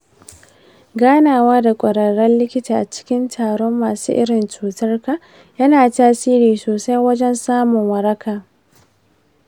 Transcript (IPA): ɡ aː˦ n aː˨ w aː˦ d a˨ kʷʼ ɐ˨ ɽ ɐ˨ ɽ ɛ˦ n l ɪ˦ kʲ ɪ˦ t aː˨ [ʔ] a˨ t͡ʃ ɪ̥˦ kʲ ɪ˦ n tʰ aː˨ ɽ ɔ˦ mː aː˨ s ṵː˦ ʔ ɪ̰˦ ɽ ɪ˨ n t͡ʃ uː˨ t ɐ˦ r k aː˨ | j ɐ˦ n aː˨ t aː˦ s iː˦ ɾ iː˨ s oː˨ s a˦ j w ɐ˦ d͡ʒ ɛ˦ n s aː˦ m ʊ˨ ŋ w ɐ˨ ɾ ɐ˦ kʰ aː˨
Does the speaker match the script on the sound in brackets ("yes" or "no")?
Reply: yes